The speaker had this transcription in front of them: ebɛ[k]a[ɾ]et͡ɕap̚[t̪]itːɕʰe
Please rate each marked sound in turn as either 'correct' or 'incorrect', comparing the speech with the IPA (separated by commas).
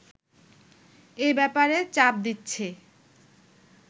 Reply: incorrect, correct, incorrect